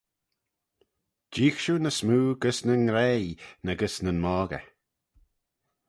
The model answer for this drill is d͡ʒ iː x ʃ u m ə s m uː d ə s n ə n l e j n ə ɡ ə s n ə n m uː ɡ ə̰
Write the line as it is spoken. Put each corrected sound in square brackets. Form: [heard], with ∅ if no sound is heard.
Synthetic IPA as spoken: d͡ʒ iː x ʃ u [n] ə s m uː [ɡ] ə s n ə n [ɾ] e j n ə ɡ ə s n ə n m [ɔː] ɡ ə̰